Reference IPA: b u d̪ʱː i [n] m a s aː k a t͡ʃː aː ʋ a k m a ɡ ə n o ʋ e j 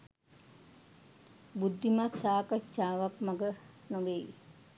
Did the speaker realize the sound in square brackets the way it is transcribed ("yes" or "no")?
no